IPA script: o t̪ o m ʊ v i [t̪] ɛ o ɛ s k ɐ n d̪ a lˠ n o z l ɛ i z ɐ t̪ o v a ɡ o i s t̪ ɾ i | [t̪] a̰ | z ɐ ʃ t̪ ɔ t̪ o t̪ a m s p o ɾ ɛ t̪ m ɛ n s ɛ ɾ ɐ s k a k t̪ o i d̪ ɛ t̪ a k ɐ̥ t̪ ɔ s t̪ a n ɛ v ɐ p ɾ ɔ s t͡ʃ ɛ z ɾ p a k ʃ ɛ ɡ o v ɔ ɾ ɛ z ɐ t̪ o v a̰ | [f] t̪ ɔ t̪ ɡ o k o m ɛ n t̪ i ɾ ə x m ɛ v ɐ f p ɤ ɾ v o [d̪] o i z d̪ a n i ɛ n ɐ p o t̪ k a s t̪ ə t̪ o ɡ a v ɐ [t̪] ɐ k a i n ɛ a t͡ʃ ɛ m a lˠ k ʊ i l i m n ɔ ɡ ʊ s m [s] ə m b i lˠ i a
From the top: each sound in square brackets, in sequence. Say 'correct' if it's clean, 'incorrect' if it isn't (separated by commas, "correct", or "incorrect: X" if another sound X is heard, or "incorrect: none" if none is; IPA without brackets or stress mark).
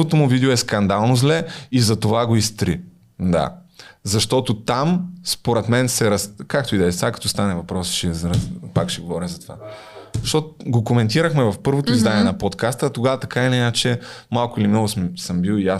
incorrect: d̪, incorrect: d̪, incorrect: ʃ, incorrect: t̪, correct, correct